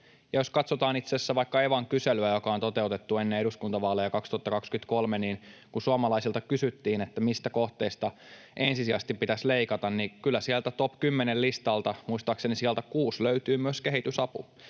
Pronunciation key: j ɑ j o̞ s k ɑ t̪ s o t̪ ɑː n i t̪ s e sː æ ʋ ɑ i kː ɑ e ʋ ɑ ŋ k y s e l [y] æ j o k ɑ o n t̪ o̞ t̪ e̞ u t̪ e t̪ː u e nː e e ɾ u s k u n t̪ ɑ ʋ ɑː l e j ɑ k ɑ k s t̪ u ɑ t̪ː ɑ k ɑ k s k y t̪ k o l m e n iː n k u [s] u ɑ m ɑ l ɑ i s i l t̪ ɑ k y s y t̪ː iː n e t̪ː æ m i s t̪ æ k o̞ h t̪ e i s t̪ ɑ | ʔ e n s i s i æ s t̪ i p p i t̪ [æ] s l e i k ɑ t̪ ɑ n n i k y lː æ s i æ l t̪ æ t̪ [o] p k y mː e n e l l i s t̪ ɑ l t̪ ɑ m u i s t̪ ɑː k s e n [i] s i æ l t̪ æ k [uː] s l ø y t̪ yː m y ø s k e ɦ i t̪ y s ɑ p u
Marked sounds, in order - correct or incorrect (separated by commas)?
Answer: correct, correct, correct, correct, correct, correct